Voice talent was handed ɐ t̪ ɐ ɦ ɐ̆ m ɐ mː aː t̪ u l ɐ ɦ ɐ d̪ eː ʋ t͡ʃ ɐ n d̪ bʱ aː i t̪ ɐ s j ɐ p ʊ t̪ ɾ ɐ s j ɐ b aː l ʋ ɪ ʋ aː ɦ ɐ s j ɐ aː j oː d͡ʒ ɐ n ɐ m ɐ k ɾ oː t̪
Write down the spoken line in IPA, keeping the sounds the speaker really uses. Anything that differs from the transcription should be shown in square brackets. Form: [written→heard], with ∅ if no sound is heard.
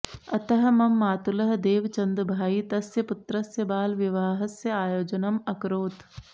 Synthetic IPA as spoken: ɐ t̪ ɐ ɦ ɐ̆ m ɐ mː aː t̪ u l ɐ ɦ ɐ d̪ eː ʋ t͡ʃ ɐ n d̪ bʱ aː i t̪ ɐ s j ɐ p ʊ t̪ ɾ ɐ s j ɐ b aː l ʋ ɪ ʋ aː ɦ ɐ s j ɐ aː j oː d͡ʒ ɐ n ɐ m ɐ k ɾ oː t̪